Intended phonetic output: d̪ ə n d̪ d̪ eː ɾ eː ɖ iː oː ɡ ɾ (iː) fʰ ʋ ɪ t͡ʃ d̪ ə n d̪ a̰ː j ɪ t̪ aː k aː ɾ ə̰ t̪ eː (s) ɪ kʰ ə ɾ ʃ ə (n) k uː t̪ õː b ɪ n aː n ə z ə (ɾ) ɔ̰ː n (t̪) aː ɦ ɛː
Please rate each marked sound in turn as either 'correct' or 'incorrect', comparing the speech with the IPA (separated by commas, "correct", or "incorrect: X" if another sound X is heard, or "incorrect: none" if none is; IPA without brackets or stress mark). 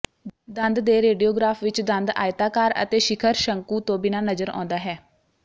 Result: incorrect: aː, incorrect: ʃ, incorrect: ŋ, correct, incorrect: d̪